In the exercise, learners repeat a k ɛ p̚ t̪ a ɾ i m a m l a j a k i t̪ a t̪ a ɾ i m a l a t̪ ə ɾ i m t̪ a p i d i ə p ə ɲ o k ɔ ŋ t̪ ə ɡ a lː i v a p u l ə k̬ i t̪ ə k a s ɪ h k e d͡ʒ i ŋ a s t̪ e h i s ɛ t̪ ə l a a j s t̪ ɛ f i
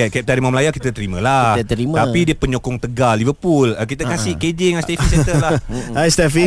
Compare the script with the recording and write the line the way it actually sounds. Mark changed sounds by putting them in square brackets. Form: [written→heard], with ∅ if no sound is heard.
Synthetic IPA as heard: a k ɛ p̚ t̪ a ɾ i m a m l a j a k i t̪ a t̪ [a→ə] ɾ i m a l a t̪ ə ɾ i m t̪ a p i d i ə p ə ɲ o k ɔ ŋ t̪ ə ɡ a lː i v [a→ə] p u l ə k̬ i t̪ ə k a s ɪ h k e d͡ʒ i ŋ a s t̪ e [h→f] i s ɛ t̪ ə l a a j s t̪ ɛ f i